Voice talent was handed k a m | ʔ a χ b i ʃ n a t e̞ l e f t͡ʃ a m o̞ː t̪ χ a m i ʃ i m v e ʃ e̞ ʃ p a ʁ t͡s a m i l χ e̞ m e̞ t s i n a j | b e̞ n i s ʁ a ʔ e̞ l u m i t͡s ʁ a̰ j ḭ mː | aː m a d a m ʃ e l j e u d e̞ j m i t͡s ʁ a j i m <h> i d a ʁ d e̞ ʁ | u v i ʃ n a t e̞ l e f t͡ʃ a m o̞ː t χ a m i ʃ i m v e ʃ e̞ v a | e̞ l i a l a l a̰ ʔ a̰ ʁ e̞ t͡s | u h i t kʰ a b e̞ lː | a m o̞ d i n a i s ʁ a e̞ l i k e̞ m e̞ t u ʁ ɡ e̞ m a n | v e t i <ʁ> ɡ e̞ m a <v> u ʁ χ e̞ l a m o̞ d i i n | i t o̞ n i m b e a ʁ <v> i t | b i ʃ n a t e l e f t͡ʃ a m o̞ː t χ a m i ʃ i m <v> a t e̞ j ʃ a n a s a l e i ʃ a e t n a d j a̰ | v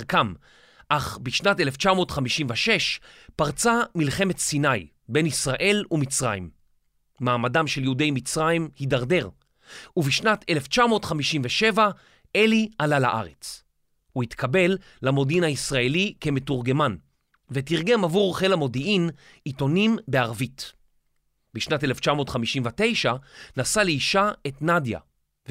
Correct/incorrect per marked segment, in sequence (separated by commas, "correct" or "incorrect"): correct, correct, correct, correct, correct